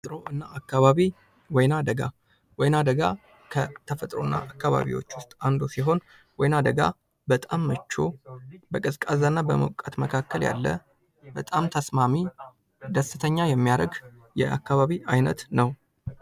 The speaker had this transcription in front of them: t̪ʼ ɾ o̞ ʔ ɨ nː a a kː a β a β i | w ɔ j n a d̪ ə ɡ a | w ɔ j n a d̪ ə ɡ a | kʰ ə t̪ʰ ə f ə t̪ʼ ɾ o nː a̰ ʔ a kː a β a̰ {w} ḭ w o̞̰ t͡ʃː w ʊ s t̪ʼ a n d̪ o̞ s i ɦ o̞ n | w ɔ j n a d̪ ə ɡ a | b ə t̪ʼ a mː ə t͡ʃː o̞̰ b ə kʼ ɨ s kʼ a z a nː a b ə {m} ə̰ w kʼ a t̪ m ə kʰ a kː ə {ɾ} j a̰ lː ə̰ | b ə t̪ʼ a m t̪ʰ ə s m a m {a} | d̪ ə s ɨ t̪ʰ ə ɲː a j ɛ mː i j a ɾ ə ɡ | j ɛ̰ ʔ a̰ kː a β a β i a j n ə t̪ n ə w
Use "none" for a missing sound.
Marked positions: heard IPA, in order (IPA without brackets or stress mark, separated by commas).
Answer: β, m, l, i